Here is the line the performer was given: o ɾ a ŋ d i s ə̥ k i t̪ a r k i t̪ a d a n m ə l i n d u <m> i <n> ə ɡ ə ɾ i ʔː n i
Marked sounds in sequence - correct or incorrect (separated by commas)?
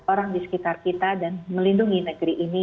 incorrect, correct